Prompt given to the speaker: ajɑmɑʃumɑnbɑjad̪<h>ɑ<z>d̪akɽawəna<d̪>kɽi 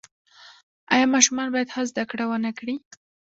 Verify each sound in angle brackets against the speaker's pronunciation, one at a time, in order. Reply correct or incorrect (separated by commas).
correct, correct, incorrect